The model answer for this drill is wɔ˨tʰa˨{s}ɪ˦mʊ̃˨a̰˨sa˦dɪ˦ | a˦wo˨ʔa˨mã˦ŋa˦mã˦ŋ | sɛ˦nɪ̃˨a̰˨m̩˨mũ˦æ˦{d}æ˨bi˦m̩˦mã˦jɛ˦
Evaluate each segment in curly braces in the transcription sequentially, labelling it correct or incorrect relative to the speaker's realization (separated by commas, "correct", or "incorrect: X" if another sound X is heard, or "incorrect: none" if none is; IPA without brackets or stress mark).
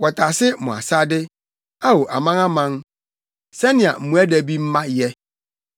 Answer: correct, correct